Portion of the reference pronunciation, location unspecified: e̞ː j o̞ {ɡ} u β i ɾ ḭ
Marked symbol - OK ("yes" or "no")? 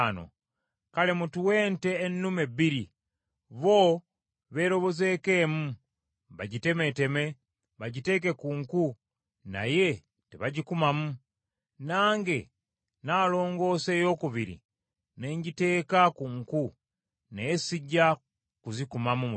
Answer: no